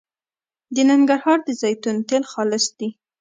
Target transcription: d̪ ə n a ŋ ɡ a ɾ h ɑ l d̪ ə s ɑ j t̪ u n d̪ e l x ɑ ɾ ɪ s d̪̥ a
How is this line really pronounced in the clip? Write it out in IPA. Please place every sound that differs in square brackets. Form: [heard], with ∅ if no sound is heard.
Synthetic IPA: d̪ ə n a ŋ ɡ a ɾ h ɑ [ɾ] d̪ ə [z] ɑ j t̪ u n [t̪] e l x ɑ [l] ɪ s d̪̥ [i]